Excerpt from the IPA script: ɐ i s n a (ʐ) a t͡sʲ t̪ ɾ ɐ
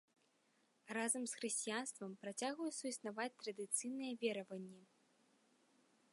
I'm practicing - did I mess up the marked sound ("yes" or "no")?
yes